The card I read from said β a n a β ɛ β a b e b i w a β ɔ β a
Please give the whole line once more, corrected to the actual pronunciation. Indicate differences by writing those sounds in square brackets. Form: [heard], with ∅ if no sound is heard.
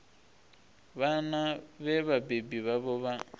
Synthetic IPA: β a n a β ɛ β a b e b i [β] a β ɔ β a